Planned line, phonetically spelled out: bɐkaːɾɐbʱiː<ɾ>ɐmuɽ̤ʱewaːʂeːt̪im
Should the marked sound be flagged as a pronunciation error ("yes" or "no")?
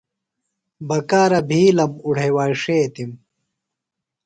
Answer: yes